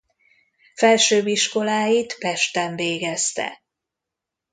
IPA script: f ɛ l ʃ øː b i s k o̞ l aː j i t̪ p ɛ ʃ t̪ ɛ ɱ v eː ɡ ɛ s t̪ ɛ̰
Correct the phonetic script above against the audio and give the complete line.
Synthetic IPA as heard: f ɛ l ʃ øː b i ʃ k o̞ l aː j i t̪ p ɛ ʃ t̪ ɛ ɱ v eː ɡ ɛ s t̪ ɛ̰